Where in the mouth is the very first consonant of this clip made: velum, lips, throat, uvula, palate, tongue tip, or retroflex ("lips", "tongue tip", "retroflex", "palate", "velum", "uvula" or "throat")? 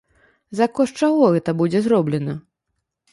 tongue tip